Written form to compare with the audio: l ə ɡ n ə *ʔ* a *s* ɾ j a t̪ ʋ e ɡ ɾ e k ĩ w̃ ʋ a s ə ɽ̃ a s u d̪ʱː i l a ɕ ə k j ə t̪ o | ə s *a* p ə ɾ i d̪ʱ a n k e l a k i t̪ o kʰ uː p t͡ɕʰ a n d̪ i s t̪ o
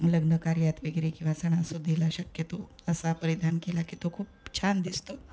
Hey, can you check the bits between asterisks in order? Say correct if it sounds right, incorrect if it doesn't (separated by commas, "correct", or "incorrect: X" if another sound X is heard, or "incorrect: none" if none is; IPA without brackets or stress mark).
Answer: incorrect: k, incorrect: none, correct